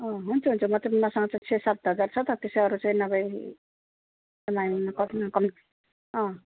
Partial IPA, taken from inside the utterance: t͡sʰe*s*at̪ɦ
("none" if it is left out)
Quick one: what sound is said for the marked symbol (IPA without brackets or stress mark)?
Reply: s